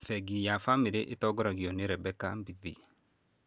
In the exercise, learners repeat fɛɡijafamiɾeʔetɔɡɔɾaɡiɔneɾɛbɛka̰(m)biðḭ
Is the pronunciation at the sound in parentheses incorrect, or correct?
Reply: correct